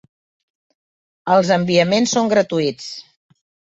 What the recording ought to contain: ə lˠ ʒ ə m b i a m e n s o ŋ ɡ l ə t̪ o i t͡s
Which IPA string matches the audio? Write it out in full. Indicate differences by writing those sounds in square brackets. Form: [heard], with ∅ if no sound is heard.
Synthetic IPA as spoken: ə lˠ [z] ə m b i [ə] m e n s o ŋ ɡ [ɾ] ə t̪ [u] i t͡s